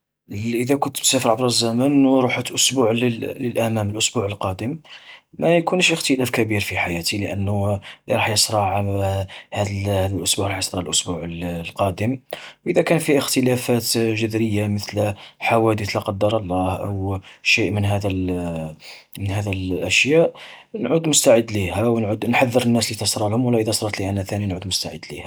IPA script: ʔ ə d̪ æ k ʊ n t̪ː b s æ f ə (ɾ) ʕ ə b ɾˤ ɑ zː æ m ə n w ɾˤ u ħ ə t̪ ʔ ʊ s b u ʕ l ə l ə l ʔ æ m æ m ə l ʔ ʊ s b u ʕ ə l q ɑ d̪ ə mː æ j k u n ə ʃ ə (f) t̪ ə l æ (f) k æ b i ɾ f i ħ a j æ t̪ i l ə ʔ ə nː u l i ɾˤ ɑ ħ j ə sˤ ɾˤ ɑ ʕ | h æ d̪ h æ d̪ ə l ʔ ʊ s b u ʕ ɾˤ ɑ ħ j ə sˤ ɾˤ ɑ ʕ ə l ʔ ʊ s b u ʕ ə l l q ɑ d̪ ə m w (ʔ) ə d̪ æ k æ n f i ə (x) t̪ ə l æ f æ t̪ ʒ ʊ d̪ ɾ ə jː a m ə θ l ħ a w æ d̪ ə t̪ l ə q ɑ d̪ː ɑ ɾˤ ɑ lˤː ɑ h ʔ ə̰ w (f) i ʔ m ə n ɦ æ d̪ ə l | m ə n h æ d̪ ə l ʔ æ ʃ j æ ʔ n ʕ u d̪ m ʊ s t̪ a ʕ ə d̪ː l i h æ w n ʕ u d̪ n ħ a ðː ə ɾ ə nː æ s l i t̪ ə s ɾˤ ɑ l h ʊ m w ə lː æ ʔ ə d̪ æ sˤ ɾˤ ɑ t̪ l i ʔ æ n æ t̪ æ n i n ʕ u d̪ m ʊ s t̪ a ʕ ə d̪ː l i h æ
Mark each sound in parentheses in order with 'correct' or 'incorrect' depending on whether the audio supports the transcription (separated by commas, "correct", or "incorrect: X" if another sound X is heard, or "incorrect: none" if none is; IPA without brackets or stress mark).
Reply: correct, incorrect: x, correct, correct, correct, incorrect: ʃ